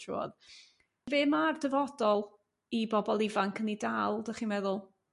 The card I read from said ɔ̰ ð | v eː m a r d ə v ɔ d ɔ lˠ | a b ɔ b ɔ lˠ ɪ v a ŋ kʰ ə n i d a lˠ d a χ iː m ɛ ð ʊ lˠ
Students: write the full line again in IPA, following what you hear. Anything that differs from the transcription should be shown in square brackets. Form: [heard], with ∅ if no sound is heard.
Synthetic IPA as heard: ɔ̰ ð | v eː m a r d ə v ɔ d ɔ lˠ | [i] b ɔ b ɔ lˠ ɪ v a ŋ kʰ ə n i d a lˠ d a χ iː m ɛ ð ʊ lˠ